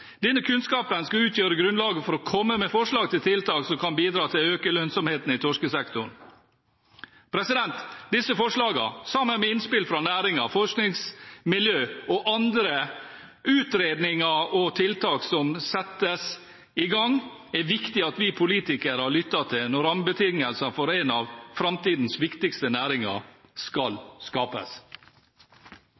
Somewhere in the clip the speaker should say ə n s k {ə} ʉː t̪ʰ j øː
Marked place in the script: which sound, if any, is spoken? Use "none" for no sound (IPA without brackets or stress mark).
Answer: ɑ